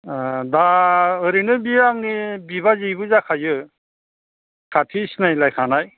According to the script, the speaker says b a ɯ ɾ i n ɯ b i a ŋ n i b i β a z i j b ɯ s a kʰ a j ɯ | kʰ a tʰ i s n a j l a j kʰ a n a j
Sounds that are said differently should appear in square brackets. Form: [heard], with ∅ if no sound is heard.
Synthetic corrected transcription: [d] a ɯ ɾ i n ɯ b i a ŋ n i b i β a z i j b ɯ [z] a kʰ a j ɯ | kʰ a tʰ i s n a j l a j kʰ a n a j